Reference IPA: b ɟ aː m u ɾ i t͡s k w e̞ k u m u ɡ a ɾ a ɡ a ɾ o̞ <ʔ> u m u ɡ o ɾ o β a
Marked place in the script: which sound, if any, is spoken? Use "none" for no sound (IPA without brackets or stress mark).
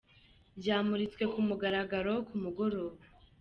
k